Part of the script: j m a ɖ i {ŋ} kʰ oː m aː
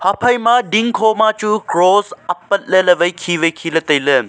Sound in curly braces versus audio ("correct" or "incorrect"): correct